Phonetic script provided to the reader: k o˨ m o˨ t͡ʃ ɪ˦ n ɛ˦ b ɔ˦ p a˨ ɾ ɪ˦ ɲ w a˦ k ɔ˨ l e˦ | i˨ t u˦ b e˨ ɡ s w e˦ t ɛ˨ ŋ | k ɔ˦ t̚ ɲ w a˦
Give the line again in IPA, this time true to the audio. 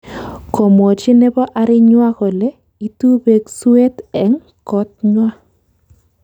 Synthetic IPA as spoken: k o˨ m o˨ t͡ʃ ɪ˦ n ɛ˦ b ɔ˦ ʔ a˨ ɾ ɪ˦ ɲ w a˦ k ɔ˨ l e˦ | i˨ t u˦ b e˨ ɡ s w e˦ t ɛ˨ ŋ | k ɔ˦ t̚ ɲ w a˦

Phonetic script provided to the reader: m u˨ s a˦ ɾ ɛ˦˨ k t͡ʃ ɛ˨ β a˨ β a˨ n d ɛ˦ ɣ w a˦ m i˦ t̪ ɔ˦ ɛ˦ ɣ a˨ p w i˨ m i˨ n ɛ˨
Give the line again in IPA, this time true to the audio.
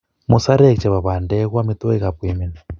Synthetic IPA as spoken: m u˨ s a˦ ɾ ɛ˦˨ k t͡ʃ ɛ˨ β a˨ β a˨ n d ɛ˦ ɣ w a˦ m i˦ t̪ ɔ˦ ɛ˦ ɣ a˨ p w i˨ m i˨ n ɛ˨

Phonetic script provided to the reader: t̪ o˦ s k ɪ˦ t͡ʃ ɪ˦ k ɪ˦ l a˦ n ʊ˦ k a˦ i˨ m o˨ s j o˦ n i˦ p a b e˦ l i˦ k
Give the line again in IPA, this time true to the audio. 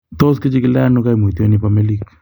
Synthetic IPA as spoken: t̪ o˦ s k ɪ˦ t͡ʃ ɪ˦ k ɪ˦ l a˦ n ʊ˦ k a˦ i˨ m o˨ t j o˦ n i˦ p a m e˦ l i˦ k

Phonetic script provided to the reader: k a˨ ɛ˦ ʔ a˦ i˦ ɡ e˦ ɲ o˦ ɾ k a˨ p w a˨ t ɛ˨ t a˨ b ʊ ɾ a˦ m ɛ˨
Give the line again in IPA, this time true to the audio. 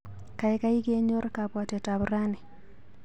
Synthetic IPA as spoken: k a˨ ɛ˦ k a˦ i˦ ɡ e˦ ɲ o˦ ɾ k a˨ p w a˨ t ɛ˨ t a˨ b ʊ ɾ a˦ n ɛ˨

